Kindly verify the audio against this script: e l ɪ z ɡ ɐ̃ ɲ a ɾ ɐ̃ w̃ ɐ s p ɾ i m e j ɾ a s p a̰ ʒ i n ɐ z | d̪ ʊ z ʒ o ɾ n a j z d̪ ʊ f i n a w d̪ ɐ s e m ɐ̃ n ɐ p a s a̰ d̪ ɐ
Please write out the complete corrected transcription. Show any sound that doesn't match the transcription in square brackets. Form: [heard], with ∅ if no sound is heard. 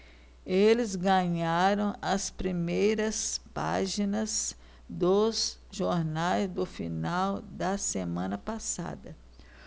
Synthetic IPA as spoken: e l ɪ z ɡ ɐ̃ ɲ a ɾ ɐ̃ w̃ ɐ s p ɾ i m e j ɾ [ɐ] s p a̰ ʒ i n ɐ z | d̪ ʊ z ʒ o ɾ n a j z d̪ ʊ f i n a w d̪ ɐ s e m ɐ̃ n ɐ p a s a̰ d̪ ɐ